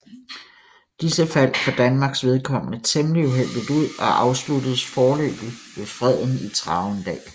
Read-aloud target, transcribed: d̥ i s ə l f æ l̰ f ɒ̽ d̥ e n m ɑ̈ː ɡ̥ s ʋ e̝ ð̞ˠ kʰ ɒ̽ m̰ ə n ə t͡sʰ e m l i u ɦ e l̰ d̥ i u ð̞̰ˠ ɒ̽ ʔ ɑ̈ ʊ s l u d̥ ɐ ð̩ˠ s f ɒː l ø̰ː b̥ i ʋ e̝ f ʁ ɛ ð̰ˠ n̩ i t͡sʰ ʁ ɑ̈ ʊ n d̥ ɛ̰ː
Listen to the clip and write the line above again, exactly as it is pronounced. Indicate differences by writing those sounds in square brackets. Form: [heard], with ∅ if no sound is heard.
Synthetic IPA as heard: d̥ i s ə [∅] f æ l̰ f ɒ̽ d̥ [æ] n m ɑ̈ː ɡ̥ s ʋ e̝ ð̞ˠ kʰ ɒ̽ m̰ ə n ə t͡sʰ e m l i u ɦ e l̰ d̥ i u ð̞̰ˠ ɒ̽ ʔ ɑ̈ ʊ s l u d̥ [ə] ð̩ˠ s f ɒː l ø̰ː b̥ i ʋ e̝ f ʁ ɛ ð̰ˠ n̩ i t͡sʰ ʁ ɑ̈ ʊ n d̥ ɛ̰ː

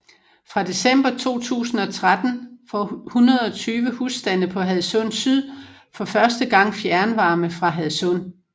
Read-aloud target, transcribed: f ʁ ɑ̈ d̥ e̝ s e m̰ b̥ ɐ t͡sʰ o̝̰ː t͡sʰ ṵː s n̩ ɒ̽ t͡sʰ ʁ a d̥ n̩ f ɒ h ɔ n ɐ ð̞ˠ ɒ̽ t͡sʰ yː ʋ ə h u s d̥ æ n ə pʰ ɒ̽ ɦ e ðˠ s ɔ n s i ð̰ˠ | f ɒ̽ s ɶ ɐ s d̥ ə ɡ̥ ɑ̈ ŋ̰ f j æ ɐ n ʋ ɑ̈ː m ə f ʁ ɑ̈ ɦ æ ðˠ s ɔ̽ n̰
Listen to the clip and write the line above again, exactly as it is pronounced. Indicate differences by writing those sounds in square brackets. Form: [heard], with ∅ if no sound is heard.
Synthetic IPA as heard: f ʁ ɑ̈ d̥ e̝ s e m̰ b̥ ɐ t͡sʰ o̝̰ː t͡sʰ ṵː s n̩ ɒ̽ t͡sʰ ʁ a d̥ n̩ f ɒ h [u] n ɐ ð̞ˠ ɒ̽ t͡sʰ yː ʋ ə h u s d̥ æ n ə pʰ ɒ̽ ɦ [æ] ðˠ s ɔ n s [y] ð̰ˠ | f ɒ̽ [f] ɶ ɐ s d̥ ə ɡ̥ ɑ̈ ŋ̰ f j æ ɐ n ʋ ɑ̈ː m ə f ʁ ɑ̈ ɦ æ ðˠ s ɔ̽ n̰

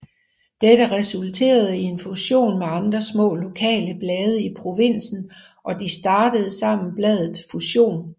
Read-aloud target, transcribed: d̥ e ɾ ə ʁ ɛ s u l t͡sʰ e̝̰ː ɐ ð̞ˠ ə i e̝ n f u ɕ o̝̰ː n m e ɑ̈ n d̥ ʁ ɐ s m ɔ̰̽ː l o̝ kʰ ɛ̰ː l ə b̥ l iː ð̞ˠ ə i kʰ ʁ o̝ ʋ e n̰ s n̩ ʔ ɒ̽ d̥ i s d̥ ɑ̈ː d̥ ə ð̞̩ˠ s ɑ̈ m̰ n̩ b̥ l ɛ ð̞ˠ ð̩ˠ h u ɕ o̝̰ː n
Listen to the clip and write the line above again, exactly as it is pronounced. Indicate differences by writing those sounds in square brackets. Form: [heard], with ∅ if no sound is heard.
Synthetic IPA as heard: d̥ e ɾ ə ʁ ɛ s u l t͡sʰ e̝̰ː ɐ ð̞ˠ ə i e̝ n f u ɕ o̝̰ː n m e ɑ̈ n d̥ ʁ ɐ s m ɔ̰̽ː l o̝ kʰ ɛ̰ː l ə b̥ l [ɛː] ð̞ˠ ə i [pʰ] ʁ o̝ ʋ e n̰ s n̩ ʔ ɒ̽ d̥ i s d̥ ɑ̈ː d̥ ə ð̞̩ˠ s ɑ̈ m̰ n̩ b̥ l ɛ ð̞ˠ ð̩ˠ [f] u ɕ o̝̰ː n

